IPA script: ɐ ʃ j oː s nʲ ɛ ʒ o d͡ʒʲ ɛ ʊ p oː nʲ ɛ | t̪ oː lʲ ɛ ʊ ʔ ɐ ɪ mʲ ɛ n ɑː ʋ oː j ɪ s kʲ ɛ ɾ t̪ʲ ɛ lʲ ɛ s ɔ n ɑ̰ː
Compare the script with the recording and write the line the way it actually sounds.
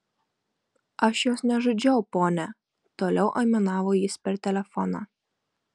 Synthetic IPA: ɐ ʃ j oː s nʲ ɛ ʒ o d͡ʒʲ ɛ ʊ p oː nʲ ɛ | t̪ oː lʲ ɛ ʊ ʔ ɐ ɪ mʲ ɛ n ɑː ʋ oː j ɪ s pʲ ɛ ɾ t̪ʲ ɛ lʲ ɛ f ɔ n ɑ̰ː

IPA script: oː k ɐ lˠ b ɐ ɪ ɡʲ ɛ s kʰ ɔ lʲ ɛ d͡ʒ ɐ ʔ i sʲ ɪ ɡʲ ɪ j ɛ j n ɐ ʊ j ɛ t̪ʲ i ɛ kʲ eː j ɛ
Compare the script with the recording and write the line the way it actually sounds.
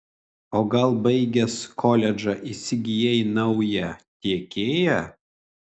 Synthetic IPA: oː ɡ ɐ lˠ b ɐ ɪ ɡʲ ɛ s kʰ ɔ lʲ ɛ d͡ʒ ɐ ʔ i sʲ ɪ ɡʲ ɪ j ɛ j n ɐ ʊ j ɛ t̪ʲ i ɛ kʲ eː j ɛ

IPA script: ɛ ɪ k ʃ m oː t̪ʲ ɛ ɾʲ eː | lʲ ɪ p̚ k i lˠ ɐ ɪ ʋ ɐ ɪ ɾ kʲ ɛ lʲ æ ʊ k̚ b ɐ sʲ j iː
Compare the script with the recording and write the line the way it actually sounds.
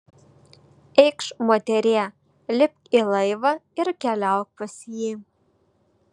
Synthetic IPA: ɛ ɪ k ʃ m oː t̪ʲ ɛ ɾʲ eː | lʲ ɪ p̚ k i lˠ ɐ ɪ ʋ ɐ ɪ ɾ kʲ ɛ lʲ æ ʊ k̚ p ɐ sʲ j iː

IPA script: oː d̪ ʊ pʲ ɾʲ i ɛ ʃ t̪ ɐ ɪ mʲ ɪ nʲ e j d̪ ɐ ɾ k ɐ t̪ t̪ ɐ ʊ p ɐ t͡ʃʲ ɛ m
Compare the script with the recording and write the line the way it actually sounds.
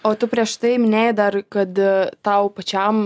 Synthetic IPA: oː t̪ ʊ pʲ ɾʲ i ɛ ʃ t̪ ɐ ɪ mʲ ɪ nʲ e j d̪ ɐ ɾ k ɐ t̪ t̪ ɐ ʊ p ɐ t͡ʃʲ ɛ m

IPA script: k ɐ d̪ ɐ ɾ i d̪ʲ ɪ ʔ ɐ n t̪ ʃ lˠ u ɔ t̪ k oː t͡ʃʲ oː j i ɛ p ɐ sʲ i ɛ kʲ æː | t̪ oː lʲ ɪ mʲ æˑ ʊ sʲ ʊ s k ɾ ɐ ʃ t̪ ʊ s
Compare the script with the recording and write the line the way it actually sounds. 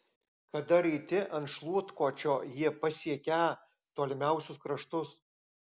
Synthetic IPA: k ɐ d̪ ɐ ɾ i t̪ʲ ɪ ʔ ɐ n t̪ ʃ lˠ u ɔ t̪ k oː t͡ʃʲ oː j i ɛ p ɐ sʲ i ɛ kʲ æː | t̪ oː lʲ ɪ mʲ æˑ ʊ sʲ ʊ s k ɾ ɐ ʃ t̪ ʊ s

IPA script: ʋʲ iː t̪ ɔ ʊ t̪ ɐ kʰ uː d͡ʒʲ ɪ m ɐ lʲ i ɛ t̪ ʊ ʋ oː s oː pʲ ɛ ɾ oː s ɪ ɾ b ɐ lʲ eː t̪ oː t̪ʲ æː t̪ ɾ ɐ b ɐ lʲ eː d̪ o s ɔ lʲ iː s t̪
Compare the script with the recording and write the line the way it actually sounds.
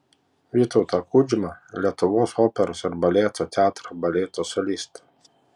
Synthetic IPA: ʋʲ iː t̪ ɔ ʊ t̪ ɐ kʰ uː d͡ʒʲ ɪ m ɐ lʲ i ɛ t̪ ʊ ʋ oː s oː pʲ ɛ ɾ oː s ɪ ɾ b ɐ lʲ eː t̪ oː t̪ʲ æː t̪ ɾ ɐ b ɐ lʲ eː t̪ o s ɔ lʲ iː s t̪

